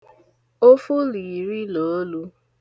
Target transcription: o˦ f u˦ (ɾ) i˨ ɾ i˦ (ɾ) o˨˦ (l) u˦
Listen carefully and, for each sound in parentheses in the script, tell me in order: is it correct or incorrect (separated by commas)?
incorrect, incorrect, correct